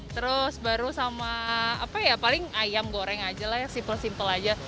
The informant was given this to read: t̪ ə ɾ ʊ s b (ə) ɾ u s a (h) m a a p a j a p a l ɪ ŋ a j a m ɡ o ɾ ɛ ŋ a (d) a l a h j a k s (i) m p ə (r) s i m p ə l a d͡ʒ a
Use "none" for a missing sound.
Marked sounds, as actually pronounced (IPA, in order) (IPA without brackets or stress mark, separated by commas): a, none, d͡ʒ, i, l